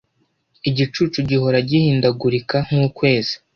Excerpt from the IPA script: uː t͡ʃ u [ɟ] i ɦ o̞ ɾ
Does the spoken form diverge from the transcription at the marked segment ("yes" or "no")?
no